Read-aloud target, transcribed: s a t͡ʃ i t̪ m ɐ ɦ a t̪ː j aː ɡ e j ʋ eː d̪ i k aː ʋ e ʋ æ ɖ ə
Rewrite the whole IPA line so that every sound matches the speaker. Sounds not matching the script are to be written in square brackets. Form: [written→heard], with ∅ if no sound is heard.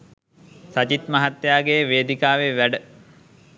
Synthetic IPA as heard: s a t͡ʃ i t̪ m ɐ ɦ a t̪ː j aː ɡ e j ʋ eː d̪ i k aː ʋ e ʋ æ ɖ ə